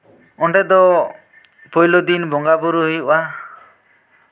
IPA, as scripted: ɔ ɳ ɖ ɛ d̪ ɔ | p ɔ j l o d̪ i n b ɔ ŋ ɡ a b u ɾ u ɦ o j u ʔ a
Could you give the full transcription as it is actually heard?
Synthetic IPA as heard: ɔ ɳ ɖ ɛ d̪ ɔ | p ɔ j l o d̪ i n b ɔ ŋ ɡ a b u ɾ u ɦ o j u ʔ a